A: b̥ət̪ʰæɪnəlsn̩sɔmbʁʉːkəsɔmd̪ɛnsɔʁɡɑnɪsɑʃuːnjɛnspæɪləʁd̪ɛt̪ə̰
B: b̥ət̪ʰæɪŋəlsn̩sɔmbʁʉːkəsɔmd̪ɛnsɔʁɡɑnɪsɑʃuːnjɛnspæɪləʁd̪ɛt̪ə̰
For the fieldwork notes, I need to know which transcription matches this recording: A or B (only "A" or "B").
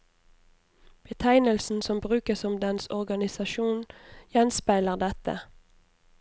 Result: A